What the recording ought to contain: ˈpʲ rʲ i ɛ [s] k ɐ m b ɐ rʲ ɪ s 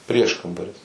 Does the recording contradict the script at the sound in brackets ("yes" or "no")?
yes